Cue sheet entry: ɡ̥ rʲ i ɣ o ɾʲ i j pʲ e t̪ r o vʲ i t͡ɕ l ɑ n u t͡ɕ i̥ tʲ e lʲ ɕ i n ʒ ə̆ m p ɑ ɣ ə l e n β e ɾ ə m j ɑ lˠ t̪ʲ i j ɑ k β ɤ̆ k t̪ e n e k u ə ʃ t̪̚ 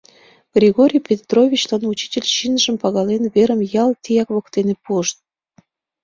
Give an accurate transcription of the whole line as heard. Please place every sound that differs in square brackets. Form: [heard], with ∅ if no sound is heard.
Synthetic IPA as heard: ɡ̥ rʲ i ɣ o ɾʲ i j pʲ e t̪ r o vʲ i t͡ɕ l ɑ n u t͡ɕ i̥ tʲ e lʲ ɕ i n ʒ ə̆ m p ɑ ɣ [ɑ] l e n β e ɾ ə m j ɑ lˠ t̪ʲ i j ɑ k β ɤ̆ k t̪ e n e [p] u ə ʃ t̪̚